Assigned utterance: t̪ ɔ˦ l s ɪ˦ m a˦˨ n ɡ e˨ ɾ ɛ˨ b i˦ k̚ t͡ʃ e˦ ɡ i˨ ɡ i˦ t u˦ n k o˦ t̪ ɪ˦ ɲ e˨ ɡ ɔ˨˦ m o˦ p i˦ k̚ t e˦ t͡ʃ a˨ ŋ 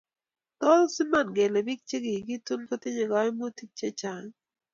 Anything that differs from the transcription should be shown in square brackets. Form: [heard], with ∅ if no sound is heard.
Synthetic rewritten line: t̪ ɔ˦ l s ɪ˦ m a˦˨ n ɡ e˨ [l] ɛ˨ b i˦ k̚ t͡ʃ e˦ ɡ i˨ ɡ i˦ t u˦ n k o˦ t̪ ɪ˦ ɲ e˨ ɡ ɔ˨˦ m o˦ [t] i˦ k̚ [t͡ʃ] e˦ t͡ʃ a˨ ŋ